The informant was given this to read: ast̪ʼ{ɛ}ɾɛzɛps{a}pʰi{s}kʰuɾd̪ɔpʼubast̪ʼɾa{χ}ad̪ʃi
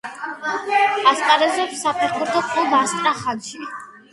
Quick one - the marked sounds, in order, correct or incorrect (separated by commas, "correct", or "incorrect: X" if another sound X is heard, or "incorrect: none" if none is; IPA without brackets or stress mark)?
incorrect: a, correct, incorrect: none, correct